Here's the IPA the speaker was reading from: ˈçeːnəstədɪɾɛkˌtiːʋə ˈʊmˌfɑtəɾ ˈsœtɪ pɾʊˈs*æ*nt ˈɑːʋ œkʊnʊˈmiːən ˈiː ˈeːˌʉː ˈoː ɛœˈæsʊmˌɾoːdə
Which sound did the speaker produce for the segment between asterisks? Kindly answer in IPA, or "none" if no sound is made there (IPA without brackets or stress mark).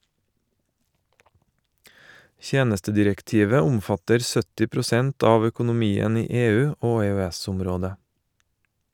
ɛ